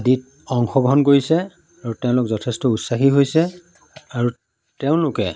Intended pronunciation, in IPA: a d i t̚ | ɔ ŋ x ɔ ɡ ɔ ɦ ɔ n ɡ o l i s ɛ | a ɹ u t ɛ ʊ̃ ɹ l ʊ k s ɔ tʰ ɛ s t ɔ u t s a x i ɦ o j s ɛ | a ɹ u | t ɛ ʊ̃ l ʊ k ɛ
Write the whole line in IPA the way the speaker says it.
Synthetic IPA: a d i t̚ | ɔ ŋ x ɔ ɡ ɔ ɦ ɔ n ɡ o ɹ i s ɛ | a ɹ u t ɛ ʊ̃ l ʊ k z ɔ tʰ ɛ s t ɔ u t s a x i ɦ o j s ɛ | a ɹ u | t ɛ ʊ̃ l ʊ k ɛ